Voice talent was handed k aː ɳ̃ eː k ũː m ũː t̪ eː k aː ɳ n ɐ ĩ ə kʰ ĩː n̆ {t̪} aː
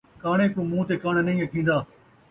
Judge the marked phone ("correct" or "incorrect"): incorrect